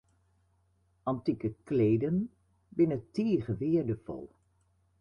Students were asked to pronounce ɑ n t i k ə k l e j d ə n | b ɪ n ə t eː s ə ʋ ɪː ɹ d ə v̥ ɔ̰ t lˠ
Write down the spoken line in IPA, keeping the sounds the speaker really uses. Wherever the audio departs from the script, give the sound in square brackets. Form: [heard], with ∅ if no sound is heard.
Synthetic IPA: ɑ n t i k ə k l e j d ə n | b ɪ n ə t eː [χ] ə ʋ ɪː ɹ d ə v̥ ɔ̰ [∅] lˠ